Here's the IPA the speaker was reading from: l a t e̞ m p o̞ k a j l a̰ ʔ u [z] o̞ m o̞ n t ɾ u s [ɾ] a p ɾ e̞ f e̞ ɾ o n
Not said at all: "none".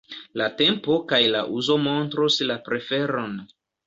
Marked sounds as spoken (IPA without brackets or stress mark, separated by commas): z, l